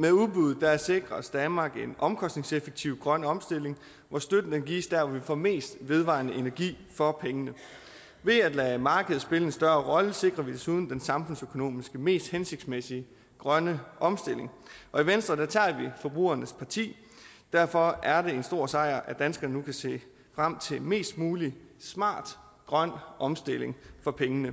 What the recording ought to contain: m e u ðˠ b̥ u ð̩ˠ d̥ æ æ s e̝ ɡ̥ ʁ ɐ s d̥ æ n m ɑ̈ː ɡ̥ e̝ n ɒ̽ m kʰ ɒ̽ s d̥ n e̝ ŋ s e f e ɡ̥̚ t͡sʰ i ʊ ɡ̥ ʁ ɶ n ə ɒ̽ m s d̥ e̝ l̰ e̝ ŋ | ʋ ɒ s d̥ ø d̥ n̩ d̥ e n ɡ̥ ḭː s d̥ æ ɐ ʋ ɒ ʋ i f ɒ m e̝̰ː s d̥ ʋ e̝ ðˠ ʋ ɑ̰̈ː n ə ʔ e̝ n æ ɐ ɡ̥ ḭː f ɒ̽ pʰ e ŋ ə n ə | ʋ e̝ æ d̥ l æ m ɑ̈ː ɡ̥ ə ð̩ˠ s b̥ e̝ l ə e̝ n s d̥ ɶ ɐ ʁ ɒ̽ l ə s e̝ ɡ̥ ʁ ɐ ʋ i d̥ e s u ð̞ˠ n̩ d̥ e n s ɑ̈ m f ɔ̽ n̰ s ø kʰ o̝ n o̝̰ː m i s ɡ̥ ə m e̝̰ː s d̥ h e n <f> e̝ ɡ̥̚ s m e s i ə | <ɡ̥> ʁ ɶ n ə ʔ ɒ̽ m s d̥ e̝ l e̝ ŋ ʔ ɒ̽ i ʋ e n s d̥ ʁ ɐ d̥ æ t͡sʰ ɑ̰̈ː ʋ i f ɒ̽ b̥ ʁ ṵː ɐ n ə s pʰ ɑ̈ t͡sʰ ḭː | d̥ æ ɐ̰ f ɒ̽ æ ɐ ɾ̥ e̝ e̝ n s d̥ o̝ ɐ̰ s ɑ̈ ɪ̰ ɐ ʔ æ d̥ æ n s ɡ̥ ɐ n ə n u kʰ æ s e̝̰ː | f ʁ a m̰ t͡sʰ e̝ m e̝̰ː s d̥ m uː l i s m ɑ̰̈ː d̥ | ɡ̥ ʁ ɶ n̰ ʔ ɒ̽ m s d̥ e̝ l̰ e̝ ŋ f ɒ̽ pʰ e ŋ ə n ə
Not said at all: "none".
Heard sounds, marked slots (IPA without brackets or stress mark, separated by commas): s, ɡ̥